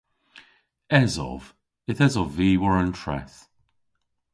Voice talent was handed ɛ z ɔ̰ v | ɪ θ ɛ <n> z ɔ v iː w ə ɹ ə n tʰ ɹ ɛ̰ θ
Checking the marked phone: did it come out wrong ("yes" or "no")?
yes